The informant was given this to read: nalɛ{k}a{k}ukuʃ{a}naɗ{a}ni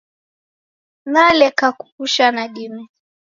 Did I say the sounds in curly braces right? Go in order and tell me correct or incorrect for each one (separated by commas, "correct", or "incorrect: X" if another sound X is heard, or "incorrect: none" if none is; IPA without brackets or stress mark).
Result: correct, correct, correct, incorrect: i